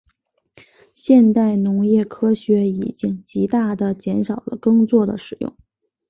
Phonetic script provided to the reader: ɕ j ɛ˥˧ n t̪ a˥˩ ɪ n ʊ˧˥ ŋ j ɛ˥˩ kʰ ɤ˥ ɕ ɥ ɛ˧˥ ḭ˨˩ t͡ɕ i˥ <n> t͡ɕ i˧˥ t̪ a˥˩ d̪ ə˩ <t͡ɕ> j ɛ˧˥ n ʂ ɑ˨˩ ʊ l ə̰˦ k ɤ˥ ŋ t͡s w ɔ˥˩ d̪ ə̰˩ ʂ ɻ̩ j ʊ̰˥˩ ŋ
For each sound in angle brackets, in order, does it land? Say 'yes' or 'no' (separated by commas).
no, yes